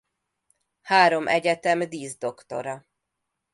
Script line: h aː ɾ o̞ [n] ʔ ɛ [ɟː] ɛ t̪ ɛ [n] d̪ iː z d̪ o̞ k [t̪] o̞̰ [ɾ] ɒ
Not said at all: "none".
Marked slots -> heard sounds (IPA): m, ɟ, m, t̪, ɾ

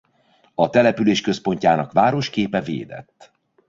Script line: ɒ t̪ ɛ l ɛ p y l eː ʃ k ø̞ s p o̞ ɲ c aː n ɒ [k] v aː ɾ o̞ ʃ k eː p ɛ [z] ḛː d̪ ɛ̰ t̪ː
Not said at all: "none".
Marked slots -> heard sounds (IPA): k, v

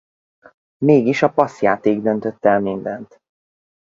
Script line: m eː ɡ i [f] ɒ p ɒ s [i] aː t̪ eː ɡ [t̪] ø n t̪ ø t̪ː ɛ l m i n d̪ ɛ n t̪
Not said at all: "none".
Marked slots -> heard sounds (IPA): ʃ, j, d̪

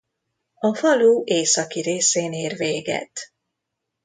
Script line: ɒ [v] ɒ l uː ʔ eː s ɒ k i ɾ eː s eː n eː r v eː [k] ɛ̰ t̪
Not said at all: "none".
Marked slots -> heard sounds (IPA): f, ɡ

